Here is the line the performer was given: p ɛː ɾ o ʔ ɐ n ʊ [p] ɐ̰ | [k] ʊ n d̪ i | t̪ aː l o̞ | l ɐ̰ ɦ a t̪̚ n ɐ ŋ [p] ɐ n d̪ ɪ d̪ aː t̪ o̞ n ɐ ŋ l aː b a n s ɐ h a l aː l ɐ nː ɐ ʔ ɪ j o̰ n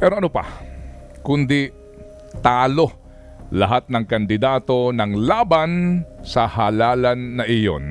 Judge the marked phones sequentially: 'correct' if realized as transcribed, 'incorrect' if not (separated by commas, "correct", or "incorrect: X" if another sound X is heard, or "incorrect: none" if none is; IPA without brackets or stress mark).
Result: correct, correct, incorrect: k